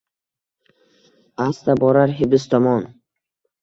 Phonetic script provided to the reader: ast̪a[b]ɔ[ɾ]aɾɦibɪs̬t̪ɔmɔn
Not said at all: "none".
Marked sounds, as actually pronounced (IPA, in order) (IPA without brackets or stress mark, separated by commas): b, ɾ